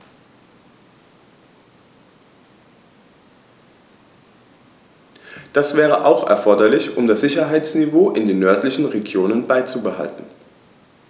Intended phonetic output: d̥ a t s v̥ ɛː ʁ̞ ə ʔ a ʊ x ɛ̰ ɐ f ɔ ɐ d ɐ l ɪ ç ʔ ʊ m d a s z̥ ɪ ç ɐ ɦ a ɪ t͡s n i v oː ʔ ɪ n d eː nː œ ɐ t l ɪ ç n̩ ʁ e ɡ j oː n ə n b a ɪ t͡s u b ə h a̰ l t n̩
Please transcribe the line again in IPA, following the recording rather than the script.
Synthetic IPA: d̥ a s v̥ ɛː ʁ̞ ə ʔ a ʊ x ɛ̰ ɐ f ɔ ɐ d ɐ l ɪ ç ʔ ʊ m d a s z̥ ɪ ç ɐ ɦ a ɪ t͡s n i v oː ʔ ɪ n d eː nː œ ɐ t l ɪ ç n̩ ʁ e ɡ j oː n ə n b a ɪ t͡s u b ə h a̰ l t n̩